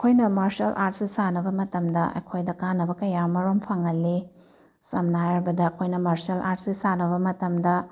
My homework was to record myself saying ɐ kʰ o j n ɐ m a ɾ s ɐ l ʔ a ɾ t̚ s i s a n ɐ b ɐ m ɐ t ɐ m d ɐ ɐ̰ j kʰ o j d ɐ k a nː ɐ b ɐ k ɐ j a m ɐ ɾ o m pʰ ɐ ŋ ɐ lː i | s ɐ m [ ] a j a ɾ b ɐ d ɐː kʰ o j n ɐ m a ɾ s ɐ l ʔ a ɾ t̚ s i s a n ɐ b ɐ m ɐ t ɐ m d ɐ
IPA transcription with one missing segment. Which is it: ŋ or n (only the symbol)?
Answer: n